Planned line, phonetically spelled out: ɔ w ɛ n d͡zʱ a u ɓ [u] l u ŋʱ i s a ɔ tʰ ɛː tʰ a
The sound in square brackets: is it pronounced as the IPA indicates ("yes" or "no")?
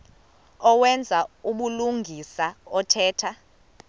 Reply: yes